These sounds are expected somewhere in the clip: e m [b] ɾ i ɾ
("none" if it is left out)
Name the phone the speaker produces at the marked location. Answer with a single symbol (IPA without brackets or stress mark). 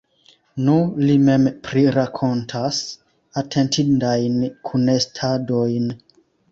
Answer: p